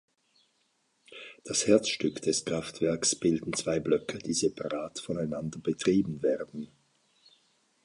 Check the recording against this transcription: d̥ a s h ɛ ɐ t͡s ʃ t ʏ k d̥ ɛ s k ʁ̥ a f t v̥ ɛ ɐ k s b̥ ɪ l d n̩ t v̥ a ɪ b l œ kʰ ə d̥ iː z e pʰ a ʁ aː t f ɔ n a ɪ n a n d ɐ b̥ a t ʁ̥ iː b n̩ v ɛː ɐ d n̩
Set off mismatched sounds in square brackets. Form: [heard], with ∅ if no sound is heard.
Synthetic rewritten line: d̥ a s h ɛ ɐ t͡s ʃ t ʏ k d̥ ɛ s k ʁ̥ a f t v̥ ɛ ɐ k s b̥ ɪ l d n̩ [t͡s] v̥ a ɪ b l œ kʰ ə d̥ iː z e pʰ a ʁ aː t f ɔ n a ɪ n a n d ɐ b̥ [ə] t ʁ̥ iː b n̩ v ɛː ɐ d n̩